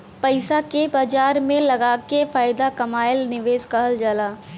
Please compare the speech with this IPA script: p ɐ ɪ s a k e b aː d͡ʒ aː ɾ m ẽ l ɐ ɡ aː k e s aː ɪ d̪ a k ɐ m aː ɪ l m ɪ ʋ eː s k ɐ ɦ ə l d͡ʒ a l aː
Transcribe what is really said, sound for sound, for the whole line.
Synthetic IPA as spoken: p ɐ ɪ s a k e b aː d͡ʒ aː ɾ m ẽ l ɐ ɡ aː k e f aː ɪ d̪ a k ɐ m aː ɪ l n ɪ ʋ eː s k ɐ ɦ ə l d͡ʒ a l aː